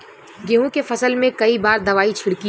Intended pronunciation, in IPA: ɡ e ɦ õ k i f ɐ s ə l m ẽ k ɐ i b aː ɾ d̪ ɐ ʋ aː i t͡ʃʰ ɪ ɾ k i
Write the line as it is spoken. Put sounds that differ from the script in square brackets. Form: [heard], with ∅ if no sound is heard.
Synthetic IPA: ɡ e ɦ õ k [e] f ɐ s ə l m ẽ k ɐ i b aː ɾ d̪ ɐ ʋ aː i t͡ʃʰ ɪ [ɽ] k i